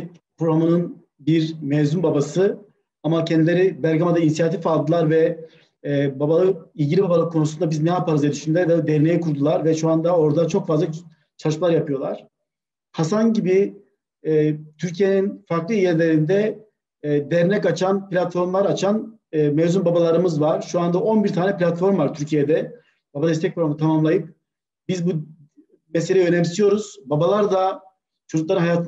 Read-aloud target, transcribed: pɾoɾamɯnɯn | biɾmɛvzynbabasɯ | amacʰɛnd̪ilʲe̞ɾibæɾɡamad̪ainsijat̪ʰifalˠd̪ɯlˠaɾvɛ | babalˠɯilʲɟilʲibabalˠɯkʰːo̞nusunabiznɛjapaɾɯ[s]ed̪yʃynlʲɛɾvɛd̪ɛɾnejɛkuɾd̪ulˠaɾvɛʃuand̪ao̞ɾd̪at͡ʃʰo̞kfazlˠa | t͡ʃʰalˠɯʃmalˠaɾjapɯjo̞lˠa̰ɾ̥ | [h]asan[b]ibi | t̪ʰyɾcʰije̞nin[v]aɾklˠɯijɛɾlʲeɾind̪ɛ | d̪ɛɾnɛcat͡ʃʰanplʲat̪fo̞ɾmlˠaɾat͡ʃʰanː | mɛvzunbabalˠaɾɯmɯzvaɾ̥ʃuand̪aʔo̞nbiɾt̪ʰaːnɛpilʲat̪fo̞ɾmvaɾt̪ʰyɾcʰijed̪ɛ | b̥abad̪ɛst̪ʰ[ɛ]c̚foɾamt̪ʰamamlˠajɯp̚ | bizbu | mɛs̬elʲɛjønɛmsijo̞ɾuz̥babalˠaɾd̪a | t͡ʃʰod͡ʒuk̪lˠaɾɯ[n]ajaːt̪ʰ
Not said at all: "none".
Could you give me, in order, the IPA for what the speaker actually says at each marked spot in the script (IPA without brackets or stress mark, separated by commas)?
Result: z, h, ɟ, f, ɛ, n